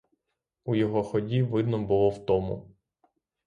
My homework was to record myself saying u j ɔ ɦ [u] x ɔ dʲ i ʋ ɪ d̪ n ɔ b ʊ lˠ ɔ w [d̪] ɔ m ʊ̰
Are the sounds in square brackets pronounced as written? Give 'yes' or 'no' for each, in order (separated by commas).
no, no